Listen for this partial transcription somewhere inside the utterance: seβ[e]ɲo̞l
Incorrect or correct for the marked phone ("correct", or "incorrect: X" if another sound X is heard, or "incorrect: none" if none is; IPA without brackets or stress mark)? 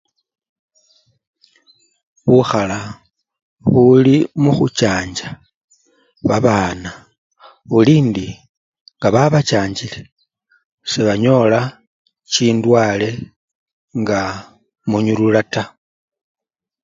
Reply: incorrect: a